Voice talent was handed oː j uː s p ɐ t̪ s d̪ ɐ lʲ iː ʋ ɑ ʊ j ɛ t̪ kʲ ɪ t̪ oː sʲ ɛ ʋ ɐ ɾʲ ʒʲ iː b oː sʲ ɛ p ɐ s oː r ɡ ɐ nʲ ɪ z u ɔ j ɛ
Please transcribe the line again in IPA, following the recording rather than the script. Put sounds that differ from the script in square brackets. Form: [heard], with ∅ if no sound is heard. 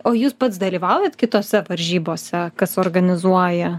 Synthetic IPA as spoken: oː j uː s p ɐ t̪ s d̪ ɐ lʲ iː ʋ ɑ ʊ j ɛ t̪ kʲ ɪ t̪ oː sʲ ɛ ʋ ɐ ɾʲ ʒʲ iː b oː sʲ ɛ [k] ɐ s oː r ɡ ɐ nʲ ɪ z u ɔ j ɛ